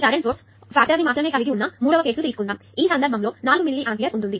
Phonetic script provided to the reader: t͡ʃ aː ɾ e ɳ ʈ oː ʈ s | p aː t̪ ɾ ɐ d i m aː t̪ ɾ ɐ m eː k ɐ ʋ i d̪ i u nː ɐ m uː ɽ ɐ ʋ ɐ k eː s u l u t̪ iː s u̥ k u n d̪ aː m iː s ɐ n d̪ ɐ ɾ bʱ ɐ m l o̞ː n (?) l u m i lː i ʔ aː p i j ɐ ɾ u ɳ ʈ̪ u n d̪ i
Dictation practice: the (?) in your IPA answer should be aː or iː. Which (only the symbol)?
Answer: aː